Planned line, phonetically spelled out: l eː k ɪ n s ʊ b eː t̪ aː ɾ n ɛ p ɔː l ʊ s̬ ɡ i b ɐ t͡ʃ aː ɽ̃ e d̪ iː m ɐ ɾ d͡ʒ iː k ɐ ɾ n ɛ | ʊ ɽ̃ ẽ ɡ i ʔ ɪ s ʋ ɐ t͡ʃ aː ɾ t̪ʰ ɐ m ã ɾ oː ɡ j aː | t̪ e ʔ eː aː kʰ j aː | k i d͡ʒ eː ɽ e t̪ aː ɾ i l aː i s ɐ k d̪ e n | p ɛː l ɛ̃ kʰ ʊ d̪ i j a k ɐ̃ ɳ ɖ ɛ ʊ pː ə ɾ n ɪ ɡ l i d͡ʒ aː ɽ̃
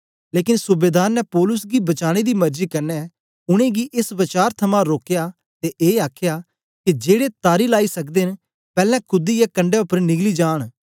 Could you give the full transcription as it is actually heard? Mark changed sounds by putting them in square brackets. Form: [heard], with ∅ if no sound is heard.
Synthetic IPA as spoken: l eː k ɪ n s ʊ b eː [d̪] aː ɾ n ɛ p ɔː l ʊ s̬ ɡ i b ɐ t͡ʃ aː ɽ̃ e d̪ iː m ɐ ɾ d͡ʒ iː k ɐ ɾ n ɛ | ʊ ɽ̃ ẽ ɡ i ʔ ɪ s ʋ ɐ t͡ʃ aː ɾ t̪ʰ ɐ m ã ɾ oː [k] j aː | t̪ e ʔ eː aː kʰ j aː | k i d͡ʒ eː ɽ e t̪ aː ɾ i l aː i s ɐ k d̪ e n | p ɛː l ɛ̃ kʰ ʊ d̪ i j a k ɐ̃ ɳ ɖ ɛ ʊ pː ə ɾ n ɪ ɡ l i d͡ʒ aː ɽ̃